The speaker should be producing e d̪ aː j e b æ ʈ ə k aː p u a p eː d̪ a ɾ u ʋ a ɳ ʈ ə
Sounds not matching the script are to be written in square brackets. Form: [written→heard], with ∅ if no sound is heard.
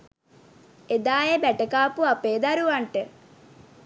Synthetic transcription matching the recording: e d̪ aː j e b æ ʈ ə k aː p u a p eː d̪ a ɾ u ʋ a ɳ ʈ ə